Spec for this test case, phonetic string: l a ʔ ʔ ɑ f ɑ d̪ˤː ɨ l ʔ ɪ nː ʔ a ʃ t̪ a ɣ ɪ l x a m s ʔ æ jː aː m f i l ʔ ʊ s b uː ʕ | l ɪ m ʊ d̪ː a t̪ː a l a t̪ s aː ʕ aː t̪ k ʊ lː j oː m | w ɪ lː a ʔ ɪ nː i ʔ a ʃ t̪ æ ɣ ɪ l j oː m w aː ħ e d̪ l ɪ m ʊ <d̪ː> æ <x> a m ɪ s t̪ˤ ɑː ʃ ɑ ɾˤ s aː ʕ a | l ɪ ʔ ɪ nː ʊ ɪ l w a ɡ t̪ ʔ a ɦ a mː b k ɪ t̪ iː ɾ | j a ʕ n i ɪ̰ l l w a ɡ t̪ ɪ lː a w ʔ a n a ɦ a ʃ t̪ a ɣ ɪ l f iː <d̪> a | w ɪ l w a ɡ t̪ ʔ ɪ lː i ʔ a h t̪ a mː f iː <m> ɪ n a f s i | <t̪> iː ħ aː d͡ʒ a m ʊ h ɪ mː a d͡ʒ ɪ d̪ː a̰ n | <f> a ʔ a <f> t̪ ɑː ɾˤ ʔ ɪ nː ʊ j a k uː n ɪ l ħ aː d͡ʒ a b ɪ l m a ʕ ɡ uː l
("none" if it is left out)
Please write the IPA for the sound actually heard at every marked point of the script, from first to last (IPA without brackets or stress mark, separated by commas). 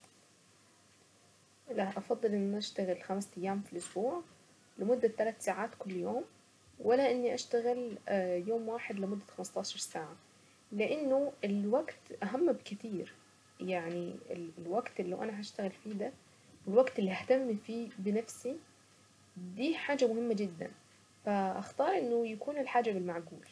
d̪ː, x, d̪, b, d̪, f, x